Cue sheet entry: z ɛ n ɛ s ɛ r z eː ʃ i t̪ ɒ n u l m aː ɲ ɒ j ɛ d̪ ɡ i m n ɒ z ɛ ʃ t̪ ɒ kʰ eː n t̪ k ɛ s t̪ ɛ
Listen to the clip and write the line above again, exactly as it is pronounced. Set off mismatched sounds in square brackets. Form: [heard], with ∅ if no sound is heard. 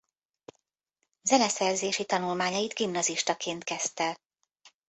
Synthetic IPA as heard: z ɛ n ɛ s ɛ r z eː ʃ i t̪ ɒ n u l m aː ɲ ɒ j [i] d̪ ɡ i m n ɒ z [i] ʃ t̪ ɒ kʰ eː n t̪ k ɛ s t̪ ɛ